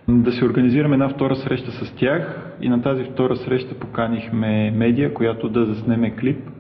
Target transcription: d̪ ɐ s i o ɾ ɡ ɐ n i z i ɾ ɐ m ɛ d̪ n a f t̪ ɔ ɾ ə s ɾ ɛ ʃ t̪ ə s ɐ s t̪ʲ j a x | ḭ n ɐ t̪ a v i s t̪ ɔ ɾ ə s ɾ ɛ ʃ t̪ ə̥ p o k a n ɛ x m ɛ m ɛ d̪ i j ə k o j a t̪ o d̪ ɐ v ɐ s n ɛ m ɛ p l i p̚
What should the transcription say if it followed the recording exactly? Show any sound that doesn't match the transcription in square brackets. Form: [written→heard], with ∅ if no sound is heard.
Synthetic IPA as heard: d̪ ɐ s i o ɾ ɡ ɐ n i z i ɾ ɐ m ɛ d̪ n a f t̪ ɔ ɾ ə s ɾ ɛ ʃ t̪ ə s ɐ s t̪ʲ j a x | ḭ n ɐ t̪ a [v→z] i [s→f] t̪ ɔ ɾ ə s ɾ ɛ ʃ t̪ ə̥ p o k a n [ɛ→i] x m ɛ m ɛ d̪ i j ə k o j a t̪ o d̪ ɐ [v→z] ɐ s n ɛ m ɛ [p→k] l i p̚